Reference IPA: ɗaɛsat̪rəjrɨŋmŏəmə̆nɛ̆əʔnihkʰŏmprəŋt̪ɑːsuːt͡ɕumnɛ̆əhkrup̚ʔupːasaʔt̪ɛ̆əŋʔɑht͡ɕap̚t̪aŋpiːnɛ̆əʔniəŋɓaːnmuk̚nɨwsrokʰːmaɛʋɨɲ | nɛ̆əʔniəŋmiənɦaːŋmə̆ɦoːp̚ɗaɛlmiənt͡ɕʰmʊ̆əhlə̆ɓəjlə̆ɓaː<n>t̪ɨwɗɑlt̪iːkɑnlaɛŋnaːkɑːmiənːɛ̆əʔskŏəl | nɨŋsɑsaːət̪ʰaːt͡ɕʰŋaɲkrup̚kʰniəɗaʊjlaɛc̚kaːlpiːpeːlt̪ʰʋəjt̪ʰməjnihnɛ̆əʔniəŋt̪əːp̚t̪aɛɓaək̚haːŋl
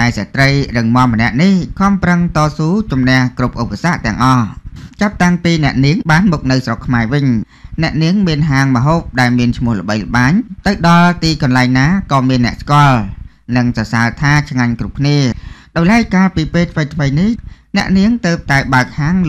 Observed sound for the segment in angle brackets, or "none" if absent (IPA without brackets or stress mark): ɲ